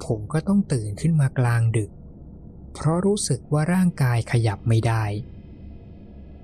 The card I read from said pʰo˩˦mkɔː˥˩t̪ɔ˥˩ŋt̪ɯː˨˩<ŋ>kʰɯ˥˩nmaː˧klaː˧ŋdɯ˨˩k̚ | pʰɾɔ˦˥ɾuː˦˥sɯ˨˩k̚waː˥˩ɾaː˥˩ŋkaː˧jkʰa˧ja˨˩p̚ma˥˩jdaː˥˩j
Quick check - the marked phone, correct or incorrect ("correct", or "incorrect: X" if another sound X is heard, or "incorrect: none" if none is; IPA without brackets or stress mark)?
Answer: incorrect: n